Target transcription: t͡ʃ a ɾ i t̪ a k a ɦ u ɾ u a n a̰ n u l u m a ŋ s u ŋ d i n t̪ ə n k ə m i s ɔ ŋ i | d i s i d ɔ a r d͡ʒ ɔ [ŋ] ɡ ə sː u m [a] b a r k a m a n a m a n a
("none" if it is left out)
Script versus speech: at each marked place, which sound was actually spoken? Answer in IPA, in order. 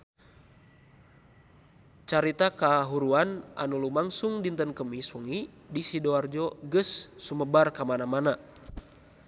none, ə

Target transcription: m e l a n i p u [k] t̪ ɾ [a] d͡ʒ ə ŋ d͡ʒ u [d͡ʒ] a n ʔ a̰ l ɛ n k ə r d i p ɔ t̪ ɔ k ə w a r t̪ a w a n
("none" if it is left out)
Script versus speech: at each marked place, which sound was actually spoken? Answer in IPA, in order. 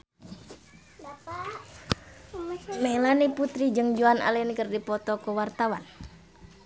none, i, none

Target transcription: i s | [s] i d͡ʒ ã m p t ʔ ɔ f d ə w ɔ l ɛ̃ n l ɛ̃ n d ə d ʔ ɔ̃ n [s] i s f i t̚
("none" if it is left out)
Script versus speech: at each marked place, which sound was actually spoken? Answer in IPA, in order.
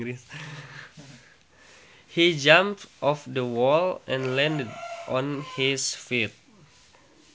h, h

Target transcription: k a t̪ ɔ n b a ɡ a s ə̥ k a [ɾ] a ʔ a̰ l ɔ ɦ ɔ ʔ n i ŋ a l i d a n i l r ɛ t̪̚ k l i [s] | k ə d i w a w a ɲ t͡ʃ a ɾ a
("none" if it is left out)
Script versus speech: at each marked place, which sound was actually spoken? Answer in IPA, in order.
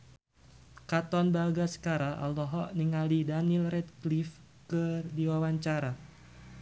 ɾ, f

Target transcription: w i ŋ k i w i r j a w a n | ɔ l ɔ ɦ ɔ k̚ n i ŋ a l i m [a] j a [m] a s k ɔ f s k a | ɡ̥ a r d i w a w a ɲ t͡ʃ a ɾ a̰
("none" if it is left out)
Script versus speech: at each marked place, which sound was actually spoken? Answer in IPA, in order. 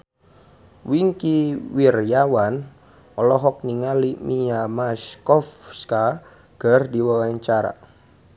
i, m

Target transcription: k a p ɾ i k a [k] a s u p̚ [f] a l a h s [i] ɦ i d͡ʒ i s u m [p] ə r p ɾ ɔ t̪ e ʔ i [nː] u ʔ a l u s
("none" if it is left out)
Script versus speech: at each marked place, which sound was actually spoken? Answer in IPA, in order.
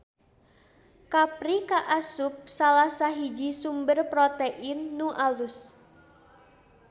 ʔ, s, a, b, nː

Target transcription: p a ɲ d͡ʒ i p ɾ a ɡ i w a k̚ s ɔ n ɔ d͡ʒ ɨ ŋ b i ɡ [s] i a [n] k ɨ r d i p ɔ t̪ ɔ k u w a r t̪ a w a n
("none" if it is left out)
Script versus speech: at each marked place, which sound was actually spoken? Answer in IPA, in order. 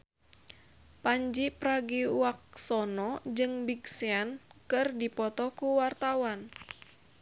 s, n

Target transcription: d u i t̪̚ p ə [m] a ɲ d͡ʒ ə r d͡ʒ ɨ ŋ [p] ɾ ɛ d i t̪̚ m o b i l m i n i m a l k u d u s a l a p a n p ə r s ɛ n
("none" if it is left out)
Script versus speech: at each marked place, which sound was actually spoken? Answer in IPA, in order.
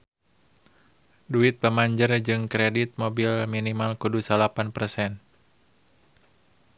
m, k

